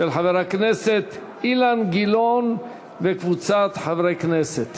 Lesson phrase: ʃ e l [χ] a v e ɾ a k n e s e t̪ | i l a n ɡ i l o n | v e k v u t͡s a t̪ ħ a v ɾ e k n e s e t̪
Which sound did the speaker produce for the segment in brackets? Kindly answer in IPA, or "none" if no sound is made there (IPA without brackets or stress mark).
ħ